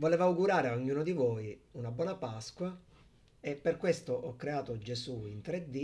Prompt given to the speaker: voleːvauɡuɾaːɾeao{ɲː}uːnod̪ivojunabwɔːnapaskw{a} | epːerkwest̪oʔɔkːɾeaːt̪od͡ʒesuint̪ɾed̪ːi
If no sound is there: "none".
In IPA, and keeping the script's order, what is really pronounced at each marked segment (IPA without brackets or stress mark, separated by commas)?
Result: ɲː, a